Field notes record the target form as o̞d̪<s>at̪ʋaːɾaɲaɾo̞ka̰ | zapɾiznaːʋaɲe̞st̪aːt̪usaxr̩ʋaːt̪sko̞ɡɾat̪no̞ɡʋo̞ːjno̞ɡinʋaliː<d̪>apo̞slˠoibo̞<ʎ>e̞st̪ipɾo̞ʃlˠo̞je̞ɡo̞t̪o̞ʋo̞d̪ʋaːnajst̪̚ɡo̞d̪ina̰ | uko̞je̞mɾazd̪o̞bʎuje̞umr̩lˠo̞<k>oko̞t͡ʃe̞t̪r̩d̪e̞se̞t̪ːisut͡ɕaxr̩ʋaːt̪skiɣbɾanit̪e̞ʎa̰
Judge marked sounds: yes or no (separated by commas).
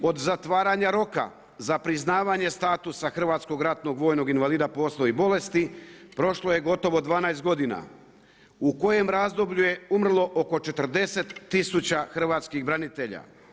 no, yes, no, no